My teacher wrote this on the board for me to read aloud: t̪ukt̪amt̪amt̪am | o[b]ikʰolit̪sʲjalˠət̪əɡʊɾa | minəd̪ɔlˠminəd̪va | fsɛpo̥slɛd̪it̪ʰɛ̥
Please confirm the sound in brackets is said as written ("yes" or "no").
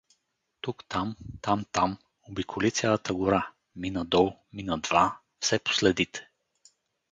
yes